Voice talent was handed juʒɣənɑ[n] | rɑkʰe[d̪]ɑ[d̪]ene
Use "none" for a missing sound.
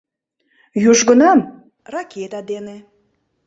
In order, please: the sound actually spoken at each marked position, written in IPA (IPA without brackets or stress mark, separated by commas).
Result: m, t̪, d̪